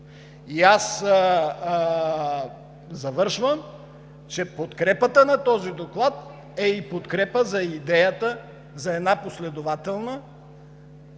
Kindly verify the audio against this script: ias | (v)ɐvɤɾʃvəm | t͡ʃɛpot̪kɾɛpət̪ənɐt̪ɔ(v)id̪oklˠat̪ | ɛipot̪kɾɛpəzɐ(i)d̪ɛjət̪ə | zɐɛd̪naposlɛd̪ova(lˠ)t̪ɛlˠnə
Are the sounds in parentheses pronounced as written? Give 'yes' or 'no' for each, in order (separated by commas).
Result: no, no, yes, no